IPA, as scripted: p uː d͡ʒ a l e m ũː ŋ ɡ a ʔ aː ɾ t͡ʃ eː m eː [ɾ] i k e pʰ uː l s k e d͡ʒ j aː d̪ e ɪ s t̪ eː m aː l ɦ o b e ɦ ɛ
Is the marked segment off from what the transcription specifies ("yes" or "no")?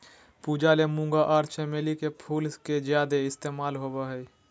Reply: yes